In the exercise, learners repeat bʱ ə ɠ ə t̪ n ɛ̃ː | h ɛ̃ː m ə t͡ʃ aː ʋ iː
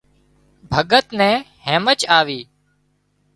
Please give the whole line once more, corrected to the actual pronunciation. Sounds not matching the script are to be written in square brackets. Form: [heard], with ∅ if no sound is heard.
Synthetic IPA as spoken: bʱ ə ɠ ə t̪ n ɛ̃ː | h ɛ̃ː m ə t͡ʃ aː ʋ iː

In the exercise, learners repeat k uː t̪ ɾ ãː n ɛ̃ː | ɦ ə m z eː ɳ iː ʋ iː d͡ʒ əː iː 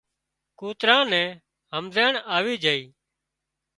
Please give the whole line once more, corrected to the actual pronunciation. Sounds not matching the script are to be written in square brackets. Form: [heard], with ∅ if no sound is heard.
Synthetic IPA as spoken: k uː t̪ ɾ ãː n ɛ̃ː | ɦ ə m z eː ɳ [aː] ʋ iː d͡ʒ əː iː

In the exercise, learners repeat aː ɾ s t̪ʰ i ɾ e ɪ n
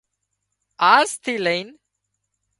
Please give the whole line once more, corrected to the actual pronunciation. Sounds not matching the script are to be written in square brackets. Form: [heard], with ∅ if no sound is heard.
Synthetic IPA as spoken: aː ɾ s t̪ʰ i [l] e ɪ n

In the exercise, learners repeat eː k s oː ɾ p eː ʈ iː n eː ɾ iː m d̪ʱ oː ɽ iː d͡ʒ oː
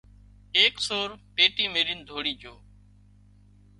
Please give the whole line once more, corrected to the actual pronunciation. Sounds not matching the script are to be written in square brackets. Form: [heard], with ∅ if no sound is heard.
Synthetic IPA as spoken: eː k s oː ɾ p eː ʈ iː [m] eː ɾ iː [n] d̪ʱ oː ɽ iː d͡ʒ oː

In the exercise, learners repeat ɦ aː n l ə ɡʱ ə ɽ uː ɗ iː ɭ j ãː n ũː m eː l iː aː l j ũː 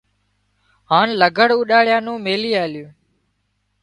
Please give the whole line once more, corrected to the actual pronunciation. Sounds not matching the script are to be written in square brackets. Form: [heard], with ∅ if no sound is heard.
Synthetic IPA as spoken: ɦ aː n l ə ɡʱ ə ɽ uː ɗ [aː] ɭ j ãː n ũː m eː l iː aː l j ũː

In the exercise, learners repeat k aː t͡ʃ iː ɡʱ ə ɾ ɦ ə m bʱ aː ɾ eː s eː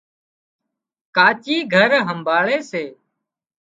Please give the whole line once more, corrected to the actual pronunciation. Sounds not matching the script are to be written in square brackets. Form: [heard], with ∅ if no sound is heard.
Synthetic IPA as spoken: k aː t͡ʃ iː ɡʱ ə ɾ ɦ ə m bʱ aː [ɭ] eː s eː

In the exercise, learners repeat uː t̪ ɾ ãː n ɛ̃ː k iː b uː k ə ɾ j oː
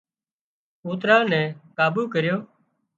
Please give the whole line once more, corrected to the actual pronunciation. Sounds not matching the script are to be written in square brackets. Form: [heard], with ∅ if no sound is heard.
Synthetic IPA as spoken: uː t̪ ɾ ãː n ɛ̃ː k [aː] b uː k ə ɾ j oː

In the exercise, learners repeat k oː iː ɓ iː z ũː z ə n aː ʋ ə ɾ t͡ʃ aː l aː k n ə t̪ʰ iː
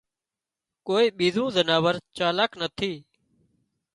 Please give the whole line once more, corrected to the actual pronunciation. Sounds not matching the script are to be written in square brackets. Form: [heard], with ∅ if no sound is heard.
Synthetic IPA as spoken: k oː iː ɓ iː z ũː z ə n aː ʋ ə ɾ t͡ʃ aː l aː k n ə t̪ʰ iː

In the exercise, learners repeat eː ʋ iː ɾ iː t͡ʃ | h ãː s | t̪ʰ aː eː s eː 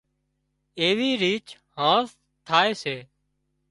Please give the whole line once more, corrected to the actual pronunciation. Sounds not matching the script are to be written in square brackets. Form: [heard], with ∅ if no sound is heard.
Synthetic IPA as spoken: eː ʋ iː ɾ iː t͡ʃ | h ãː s | t̪ʰ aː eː s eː

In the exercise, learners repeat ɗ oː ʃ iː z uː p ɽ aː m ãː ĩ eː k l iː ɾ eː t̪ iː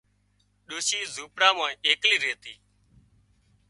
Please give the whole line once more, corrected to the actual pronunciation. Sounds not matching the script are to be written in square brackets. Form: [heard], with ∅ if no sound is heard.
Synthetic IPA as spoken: ɗ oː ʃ iː z uː p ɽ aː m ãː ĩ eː k l iː ɾ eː t̪ iː

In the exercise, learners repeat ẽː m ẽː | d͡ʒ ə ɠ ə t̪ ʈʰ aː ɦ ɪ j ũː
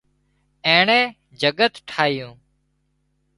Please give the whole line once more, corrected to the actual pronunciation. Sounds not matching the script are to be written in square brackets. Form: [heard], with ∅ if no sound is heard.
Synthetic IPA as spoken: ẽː [ɳ] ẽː | d͡ʒ ə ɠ ə t̪ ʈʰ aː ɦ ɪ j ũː

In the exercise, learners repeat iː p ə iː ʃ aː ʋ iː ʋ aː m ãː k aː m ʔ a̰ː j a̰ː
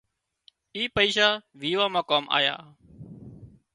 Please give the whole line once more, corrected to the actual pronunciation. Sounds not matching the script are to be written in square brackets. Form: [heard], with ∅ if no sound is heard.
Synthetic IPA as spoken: iː p ə iː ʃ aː ʋ iː ʋ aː m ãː k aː m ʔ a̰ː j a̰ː

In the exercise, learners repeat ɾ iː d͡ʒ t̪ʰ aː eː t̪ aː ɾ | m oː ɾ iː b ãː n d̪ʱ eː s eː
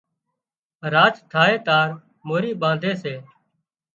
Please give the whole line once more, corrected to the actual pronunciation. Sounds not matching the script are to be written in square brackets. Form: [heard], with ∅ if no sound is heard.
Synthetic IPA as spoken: ɾ [aː] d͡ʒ t̪ʰ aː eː t̪ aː ɾ | m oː ɾ iː [ɓ] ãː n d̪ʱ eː s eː

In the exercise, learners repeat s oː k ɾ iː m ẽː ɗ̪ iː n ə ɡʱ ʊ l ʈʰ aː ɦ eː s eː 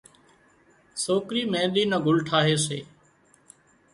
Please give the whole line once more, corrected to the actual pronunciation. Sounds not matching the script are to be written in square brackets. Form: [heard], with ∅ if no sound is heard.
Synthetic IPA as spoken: s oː k ɾ iː m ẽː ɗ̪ iː n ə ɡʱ ʊ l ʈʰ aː ɦ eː s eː

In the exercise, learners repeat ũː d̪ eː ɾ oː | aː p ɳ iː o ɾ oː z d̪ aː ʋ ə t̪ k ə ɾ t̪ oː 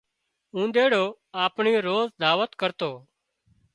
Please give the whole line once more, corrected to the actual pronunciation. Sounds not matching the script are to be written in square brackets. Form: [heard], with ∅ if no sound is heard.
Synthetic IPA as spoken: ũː d̪ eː [ɽ] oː | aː p ɳ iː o ɾ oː z d̪ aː ʋ ə t̪ k ə ɾ t̪ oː

